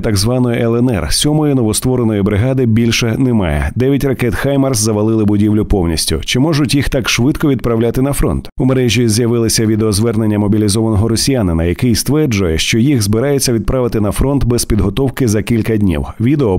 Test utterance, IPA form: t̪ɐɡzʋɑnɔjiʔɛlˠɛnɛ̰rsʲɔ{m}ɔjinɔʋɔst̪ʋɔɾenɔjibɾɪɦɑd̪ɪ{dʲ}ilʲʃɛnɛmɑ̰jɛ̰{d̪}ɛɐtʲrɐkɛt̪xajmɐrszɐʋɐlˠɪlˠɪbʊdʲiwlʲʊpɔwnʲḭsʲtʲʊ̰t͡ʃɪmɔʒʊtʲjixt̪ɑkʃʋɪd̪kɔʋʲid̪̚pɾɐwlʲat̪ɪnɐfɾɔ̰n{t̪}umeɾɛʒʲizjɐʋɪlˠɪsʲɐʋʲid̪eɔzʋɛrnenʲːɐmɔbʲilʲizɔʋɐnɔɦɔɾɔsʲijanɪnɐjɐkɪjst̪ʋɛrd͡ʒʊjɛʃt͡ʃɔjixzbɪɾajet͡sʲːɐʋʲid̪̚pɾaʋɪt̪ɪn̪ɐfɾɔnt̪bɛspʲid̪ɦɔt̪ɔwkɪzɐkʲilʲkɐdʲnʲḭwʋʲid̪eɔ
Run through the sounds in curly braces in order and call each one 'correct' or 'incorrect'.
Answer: correct, incorrect, correct, correct

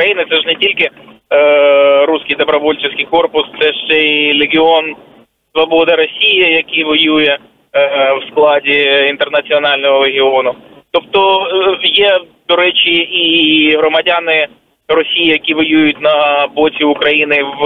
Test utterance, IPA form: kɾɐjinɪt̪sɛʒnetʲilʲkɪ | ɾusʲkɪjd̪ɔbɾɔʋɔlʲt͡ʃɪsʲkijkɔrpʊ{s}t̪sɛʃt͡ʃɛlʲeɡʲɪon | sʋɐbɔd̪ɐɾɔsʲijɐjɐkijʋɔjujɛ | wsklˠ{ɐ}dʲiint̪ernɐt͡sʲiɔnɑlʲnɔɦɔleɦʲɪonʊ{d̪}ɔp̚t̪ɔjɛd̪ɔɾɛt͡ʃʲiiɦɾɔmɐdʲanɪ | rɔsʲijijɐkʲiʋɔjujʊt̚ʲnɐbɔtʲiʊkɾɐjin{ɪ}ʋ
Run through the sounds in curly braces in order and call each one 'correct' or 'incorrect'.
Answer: correct, incorrect, incorrect, correct

